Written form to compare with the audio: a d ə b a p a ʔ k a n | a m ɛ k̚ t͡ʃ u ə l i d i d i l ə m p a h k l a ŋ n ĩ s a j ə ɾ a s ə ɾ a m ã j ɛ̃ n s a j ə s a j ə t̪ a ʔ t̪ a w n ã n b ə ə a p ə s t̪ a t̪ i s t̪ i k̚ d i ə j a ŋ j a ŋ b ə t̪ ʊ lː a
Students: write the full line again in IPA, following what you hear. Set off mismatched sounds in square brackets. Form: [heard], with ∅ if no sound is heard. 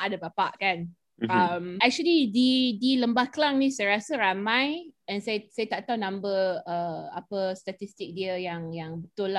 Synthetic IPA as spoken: a d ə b a p a ʔ k a n | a m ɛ k̚ t͡ʃ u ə l i d i d i l ə m [b] a h k l a ŋ n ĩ s a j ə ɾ a s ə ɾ a m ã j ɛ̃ n s a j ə s a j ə t̪ a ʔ t̪ a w n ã [m] b ə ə a p ə s t̪ a t̪ i s t̪ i k̚ d i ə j a ŋ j a ŋ b ə t̪ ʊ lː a